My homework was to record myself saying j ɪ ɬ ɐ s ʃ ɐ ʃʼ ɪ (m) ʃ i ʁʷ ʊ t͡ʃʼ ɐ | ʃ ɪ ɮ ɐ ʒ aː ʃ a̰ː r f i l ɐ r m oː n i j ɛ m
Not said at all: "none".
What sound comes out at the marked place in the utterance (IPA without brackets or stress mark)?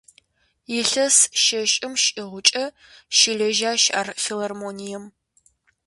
m